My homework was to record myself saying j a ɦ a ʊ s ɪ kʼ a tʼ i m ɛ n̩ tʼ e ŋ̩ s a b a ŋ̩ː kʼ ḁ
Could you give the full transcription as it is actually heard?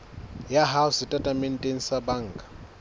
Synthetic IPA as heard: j a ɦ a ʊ s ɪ tʼ a tʼ a m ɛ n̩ tʼ e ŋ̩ s a b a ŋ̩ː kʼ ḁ